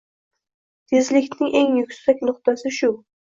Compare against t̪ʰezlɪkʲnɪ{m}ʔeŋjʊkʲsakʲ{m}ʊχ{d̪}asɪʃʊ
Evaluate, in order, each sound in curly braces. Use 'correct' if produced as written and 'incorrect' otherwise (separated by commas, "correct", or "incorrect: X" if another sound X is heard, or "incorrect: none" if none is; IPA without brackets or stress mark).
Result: incorrect: ŋ, incorrect: n, incorrect: t̪